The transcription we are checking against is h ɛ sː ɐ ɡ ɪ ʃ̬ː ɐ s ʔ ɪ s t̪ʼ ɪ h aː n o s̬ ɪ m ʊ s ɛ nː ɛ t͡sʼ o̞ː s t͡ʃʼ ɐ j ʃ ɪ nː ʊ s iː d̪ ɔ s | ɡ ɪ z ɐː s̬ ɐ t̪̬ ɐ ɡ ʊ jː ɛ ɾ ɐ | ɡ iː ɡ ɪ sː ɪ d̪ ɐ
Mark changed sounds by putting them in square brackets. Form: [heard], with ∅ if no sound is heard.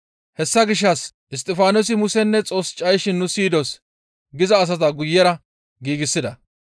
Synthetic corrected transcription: h ɛ sː ɐ ɡ ɪ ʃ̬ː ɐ s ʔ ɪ s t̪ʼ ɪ [f] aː n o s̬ ɪ m ʊ s ɛ nː ɛ t͡sʼ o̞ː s t͡ʃʼ ɐ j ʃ ɪ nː ʊ s iː d̪ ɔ s | ɡ ɪ z ɐː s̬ ɐ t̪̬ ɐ ɡ ʊ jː ɛ ɾ ɐ | ɡ iː ɡ ɪ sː ɪ d̪ ɐ